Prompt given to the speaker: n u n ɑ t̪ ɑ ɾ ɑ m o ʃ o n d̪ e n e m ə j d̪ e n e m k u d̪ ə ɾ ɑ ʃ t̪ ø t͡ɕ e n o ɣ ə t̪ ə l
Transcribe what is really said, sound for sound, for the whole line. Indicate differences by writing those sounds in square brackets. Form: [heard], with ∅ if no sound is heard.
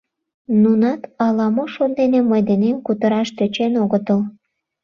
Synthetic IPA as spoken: n u n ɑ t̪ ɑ [l] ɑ m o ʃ o n d̪ e n e m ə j d̪ e n e m k u [t̪] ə ɾ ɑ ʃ t̪ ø t͡ɕ e n o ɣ ə t̪ ə l